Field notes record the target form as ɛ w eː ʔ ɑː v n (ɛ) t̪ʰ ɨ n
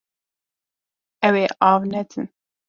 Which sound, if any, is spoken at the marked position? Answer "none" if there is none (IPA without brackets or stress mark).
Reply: ɛ